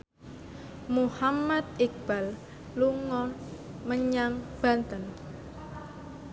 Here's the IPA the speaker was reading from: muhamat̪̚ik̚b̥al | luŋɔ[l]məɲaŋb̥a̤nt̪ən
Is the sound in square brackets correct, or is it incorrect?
incorrect